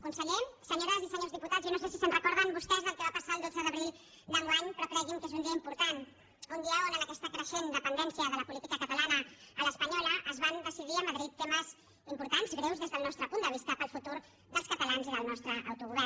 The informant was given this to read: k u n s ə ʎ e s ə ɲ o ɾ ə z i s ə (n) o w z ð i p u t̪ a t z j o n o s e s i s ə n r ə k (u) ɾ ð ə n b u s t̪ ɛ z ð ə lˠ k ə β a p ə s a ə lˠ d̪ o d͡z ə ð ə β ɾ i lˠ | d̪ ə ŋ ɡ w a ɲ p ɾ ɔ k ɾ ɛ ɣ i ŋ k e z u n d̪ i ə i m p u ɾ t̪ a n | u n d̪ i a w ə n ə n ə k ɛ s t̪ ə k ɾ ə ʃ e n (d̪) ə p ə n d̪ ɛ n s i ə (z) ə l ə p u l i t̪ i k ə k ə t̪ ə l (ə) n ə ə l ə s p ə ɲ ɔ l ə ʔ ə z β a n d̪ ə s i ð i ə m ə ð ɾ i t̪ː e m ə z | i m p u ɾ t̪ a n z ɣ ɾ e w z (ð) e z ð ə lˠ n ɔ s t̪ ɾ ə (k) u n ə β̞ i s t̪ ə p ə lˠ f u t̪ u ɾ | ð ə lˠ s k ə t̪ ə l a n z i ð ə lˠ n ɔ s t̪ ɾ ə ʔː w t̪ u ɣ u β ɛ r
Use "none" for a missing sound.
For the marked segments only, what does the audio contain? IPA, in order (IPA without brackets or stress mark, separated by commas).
ɲ, ɔ, d̪, ð, a, ð, p